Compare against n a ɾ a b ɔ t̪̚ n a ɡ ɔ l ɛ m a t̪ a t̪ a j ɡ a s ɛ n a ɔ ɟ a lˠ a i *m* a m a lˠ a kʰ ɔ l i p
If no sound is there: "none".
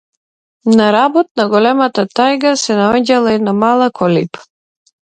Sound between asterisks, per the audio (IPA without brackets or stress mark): n